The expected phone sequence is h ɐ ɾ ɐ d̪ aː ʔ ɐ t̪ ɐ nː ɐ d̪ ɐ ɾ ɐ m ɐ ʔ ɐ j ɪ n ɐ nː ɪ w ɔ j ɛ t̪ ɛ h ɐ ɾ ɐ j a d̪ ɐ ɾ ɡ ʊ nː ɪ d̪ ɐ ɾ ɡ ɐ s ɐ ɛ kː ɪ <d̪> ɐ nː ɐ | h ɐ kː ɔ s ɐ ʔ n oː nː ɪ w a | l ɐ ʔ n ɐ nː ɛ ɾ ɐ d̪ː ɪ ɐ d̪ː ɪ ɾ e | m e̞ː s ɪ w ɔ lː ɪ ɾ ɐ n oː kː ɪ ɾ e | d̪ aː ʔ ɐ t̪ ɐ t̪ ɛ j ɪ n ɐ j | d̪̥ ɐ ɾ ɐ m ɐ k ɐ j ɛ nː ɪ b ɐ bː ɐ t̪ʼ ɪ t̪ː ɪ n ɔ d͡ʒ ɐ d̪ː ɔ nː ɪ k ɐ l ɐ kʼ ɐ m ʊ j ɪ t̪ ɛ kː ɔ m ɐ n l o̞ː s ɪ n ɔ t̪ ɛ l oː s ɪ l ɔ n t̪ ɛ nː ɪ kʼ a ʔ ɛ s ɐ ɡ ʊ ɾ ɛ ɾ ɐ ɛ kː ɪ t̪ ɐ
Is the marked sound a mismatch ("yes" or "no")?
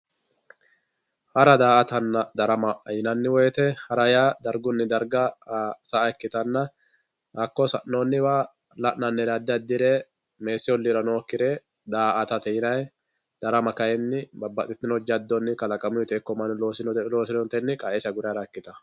yes